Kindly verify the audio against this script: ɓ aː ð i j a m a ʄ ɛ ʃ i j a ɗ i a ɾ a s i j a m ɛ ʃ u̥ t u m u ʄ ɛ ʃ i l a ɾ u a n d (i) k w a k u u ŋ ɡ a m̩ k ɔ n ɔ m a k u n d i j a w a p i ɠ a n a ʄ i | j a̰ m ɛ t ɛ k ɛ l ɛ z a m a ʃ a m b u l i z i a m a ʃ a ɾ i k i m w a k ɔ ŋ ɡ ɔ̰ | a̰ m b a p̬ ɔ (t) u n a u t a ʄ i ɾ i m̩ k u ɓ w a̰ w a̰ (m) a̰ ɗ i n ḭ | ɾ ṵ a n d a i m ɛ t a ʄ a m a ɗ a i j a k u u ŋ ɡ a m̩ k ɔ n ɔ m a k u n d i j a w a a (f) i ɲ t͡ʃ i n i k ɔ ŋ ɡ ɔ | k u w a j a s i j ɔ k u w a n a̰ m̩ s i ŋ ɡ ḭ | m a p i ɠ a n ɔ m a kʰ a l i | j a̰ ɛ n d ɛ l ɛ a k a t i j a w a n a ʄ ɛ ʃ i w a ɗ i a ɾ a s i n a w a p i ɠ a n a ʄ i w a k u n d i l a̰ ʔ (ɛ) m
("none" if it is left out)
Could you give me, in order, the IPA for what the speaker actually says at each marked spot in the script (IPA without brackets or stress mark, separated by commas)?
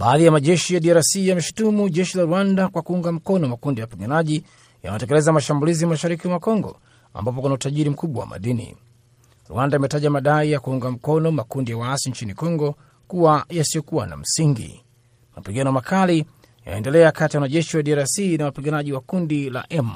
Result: a, k, m, s, ɛ